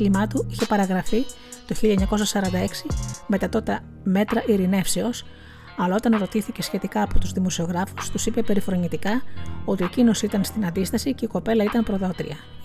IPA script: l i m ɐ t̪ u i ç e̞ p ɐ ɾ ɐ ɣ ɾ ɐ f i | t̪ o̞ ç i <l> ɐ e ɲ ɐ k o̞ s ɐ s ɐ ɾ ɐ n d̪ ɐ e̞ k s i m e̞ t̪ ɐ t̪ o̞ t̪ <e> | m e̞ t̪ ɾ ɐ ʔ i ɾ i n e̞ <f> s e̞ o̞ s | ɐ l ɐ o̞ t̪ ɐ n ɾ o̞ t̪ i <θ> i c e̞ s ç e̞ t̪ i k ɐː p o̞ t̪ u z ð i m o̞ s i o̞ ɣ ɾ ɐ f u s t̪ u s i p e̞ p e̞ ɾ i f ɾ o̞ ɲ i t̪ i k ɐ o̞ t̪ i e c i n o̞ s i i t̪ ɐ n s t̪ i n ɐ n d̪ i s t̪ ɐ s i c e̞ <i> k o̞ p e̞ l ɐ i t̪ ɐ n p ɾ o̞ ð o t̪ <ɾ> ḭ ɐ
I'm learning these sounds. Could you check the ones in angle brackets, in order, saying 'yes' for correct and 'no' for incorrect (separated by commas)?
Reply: no, yes, yes, yes, yes, yes